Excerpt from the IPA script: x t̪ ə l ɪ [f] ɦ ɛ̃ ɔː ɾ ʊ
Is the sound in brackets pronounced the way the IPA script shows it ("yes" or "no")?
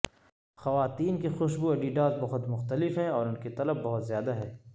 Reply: yes